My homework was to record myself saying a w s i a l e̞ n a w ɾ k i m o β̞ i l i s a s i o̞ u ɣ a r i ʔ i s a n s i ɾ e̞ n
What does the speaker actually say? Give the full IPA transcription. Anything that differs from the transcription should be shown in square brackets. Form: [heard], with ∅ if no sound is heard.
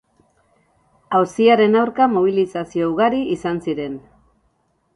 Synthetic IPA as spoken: a w s i a [ɾ] e̞ n a w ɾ k [a] m o β̞ i l i s a s i o̞ u ɣ a [ɾ] i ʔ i s a n s i ɾ e̞ n